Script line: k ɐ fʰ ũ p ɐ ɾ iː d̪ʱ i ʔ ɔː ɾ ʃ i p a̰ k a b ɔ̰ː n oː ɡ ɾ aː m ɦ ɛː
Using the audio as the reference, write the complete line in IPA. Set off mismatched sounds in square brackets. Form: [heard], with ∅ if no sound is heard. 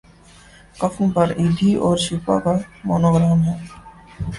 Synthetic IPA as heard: k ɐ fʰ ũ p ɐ ɾ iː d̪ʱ i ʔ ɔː ɾ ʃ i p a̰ k a [m] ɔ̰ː n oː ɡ ɾ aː m ɦ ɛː